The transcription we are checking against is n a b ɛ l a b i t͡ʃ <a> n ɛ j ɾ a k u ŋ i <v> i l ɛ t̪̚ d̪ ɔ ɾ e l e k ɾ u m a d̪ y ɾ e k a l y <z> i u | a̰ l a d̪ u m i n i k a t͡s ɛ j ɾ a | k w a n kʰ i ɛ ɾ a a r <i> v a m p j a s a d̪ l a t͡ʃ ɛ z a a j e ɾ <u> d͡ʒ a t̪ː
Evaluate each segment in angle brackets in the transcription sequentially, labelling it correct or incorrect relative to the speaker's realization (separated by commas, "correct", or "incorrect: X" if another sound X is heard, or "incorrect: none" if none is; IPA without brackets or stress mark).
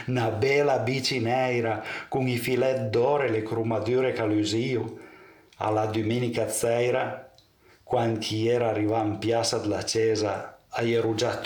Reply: incorrect: i, incorrect: f, correct, correct, correct